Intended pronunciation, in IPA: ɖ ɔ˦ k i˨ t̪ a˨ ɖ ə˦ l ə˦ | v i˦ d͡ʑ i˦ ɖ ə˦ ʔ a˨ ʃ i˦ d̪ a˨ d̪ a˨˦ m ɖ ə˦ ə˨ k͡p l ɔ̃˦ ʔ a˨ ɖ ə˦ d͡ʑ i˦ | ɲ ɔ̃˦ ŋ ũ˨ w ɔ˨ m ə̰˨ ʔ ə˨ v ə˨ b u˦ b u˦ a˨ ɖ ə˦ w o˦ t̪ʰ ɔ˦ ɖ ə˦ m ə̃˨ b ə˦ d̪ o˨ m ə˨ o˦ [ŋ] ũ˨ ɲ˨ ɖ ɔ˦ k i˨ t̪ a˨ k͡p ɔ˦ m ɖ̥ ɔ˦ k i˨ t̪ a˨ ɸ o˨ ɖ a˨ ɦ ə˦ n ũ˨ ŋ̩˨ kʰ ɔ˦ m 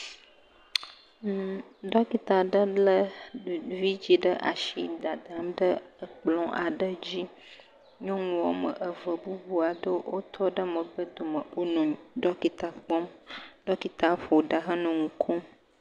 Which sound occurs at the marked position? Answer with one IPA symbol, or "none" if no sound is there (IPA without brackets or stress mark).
n